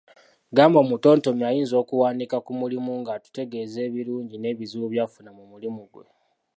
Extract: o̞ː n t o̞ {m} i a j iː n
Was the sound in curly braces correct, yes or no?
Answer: yes